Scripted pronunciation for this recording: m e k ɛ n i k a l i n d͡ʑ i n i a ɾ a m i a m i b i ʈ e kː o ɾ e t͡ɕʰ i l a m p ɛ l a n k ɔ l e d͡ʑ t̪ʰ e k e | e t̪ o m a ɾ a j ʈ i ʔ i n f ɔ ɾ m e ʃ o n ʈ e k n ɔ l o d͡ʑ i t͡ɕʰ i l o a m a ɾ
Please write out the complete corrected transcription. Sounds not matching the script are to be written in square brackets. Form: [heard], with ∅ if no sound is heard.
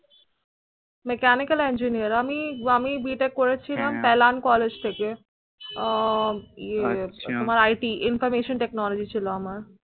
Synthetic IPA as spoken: m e k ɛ n i k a l [e] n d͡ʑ i n i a ɾ a m i a m i b i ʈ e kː o ɾ e t͡ɕʰ i l a m p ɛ l a n k ɔ l e d͡ʑ t̪ʰ e k e | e t̪ o m a ɾ a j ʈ i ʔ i n f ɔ ɾ m e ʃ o n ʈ e k n ɔ l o d͡ʑ i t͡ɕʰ i l o a m a ɾ

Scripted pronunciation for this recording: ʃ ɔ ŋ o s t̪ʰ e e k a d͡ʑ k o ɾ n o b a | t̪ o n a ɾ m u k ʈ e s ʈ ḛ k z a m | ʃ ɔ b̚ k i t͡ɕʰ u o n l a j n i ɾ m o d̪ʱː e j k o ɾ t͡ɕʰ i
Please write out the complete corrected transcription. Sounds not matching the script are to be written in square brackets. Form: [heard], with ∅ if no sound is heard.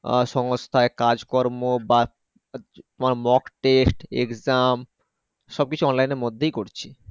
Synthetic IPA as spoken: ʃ ɔ ŋ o s t̪ʰ [a] e k a d͡ʑ k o ɾ [m] o b a | t̪ o [m] a ɾ m [ɔ] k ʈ e s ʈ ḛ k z a m | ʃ ɔ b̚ k i t͡ɕʰ u [ɔ] n l a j n [e] ɾ m o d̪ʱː e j k o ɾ t͡ɕʰ i

